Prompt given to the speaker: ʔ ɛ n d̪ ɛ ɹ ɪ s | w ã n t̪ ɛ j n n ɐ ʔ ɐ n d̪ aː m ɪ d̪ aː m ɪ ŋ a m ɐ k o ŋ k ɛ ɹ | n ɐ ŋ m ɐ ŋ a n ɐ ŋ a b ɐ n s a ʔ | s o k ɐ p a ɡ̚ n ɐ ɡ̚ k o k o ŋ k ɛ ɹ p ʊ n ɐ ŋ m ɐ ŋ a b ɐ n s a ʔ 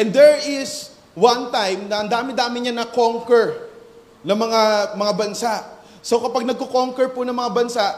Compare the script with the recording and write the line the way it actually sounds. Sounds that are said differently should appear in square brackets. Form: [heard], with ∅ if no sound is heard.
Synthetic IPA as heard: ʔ ɛ n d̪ ɛ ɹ ɪ s | w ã n t̪ [a] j [m] n ɐ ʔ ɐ n d̪ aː m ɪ d̪ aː m ɪ [ɲ] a [n] ɐ k o ŋ k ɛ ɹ | n ɐ ŋ m ɐ ŋ a [m] ɐ ŋ a b ɐ n s a ʔ | s o k ɐ p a ɡ̚ n ɐ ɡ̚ k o k o ŋ k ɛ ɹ p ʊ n ɐ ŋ m ɐ ŋ a b ɐ n s a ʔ